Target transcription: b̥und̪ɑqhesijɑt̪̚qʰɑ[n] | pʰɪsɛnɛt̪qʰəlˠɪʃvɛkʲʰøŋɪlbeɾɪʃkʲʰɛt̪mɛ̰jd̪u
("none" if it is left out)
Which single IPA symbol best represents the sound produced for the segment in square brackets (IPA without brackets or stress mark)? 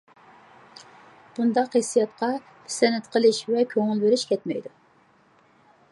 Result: none